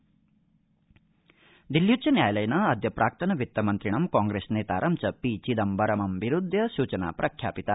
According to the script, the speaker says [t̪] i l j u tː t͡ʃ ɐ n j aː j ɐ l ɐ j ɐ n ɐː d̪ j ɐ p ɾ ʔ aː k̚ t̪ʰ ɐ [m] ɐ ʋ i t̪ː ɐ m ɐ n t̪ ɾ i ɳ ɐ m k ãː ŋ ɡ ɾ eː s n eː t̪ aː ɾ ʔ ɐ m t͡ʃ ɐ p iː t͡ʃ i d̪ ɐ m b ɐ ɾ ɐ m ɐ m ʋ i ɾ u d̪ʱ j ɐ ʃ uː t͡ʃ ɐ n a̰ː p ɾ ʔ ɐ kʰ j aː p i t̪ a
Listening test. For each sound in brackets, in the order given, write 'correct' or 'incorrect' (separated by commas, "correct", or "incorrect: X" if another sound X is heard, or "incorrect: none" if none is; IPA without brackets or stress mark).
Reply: incorrect: d̪, incorrect: n